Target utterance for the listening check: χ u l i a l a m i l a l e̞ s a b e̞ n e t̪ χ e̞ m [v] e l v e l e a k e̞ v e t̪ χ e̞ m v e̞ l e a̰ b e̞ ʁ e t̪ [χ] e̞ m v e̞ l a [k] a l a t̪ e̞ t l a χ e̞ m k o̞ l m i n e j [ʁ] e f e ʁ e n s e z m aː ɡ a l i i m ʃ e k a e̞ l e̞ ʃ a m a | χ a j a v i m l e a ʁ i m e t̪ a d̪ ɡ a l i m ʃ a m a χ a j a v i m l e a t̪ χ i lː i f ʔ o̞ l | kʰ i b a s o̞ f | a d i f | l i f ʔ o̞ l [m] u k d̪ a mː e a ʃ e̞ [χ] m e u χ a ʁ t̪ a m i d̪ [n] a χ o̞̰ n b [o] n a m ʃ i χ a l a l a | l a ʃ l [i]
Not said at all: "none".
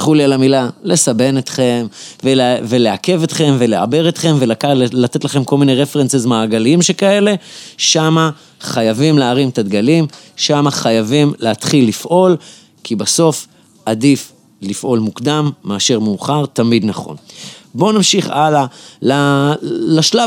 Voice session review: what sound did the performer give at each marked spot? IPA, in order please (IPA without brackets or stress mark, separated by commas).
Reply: v, χ, k, ʁ, m, ʁ, n, o, a